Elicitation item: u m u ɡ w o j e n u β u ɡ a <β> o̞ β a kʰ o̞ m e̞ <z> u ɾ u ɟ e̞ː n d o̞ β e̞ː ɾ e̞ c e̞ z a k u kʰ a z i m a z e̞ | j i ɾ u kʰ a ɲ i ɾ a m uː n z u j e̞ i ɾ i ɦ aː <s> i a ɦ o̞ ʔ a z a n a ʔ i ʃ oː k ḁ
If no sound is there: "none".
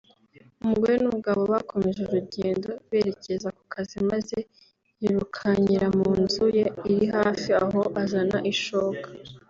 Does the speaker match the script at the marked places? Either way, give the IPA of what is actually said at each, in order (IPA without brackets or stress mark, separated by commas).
β, ʒ, f